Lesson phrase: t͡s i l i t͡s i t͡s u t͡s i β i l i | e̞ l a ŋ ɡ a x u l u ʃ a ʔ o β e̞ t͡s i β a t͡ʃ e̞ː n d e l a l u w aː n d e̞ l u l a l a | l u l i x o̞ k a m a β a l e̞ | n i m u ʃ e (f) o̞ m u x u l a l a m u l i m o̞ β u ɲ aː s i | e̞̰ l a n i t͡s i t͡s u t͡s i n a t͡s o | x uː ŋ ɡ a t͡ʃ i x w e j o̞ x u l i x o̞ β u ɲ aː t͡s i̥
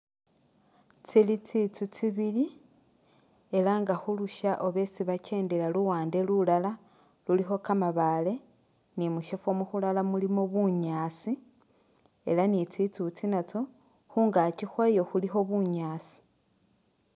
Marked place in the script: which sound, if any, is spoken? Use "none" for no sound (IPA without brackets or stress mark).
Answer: f